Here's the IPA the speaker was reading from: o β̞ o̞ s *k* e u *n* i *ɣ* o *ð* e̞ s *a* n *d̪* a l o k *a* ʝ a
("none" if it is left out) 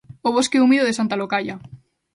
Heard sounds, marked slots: k, m, ð, ð, a, t̪, a

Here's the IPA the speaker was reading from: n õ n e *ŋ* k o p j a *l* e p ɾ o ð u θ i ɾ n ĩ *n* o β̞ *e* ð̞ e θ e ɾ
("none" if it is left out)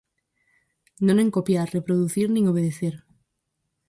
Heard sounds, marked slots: ŋ, r, ŋ, e

